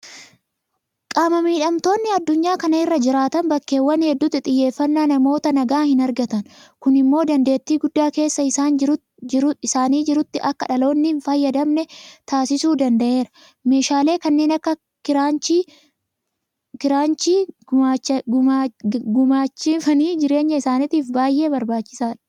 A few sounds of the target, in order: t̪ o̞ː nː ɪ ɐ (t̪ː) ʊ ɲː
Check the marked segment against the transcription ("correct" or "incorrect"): incorrect